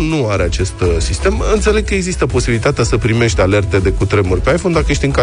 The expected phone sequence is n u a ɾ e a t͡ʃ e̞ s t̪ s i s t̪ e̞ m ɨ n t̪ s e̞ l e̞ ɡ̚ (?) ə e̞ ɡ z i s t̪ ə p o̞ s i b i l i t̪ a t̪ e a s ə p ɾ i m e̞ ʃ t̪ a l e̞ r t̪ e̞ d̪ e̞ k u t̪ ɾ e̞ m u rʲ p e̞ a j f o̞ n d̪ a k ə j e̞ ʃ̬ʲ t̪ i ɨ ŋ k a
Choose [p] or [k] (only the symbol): k